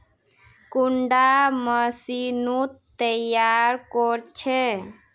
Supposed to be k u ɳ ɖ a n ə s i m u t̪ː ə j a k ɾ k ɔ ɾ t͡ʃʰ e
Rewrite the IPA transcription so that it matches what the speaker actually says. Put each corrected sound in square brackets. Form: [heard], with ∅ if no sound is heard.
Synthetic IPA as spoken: k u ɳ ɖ a [m] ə s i [n] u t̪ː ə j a [∅] ɾ k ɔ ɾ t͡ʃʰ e